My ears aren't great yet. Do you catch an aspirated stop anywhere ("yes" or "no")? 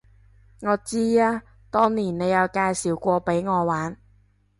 no